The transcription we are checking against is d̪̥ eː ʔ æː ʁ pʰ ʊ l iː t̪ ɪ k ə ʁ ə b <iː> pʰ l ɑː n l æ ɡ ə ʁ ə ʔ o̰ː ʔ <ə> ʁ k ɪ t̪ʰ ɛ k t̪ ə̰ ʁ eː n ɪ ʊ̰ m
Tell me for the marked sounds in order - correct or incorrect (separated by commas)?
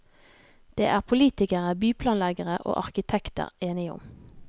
incorrect, incorrect